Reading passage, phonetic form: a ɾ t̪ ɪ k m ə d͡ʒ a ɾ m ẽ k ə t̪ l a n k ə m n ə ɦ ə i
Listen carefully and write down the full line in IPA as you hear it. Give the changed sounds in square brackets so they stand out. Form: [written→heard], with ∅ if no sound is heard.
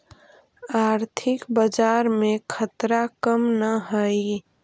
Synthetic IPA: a ɾ [t̪→t̪ʰ] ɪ k [m→b] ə d͡ʒ a ɾ m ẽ [k→kʰ] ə t̪ [l→ɾ] a [n→∅] k ə m n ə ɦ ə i